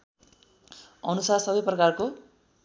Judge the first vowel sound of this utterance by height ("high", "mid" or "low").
mid